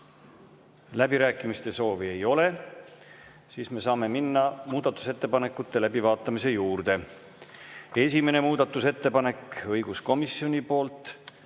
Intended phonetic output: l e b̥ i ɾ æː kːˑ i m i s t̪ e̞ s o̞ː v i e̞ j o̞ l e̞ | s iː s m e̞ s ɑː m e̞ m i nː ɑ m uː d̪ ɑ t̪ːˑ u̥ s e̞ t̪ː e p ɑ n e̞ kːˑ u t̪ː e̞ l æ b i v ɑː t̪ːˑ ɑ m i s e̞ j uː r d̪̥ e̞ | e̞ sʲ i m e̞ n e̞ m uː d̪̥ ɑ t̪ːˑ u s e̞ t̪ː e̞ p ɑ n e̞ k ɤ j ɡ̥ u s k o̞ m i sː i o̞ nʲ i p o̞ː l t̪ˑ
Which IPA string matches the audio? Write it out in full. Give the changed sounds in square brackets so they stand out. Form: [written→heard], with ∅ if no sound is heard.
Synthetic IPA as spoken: l [e→æ] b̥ i ɾ æː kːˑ i m i s t̪ e̞ s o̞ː v i e̞ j o̞ l e̞ | s iː s m e̞ s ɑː m e̞ m i nː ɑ m uː d̪ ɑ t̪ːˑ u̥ s e̞ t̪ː e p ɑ n e̞ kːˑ u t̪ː e̞ l æ b i v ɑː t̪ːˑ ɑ m i s e̞ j uː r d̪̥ e̞ | e̞ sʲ i m e̞ n e̞ m uː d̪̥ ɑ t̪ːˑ u s e̞ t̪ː e̞ p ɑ n e̞ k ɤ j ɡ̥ u s k o̞ m i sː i o̞ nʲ i p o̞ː l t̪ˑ